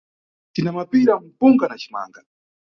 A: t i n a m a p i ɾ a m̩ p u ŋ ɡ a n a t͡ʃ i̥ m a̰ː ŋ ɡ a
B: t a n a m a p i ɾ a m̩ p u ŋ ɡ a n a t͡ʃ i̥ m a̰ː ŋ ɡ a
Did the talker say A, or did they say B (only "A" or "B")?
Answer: A